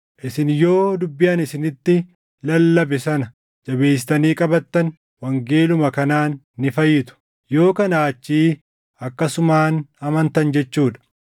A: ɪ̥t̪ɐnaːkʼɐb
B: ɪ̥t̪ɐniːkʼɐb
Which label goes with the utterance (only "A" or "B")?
B